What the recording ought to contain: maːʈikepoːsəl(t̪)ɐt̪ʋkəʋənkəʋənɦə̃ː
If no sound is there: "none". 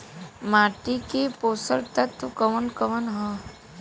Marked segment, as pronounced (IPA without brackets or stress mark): t̪